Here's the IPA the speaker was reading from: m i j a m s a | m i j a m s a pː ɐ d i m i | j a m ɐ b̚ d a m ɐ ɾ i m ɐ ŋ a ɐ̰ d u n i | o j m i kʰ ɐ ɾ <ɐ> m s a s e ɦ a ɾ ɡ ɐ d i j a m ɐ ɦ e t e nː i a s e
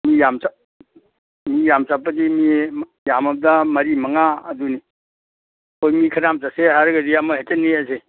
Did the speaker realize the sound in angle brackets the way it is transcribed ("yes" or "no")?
no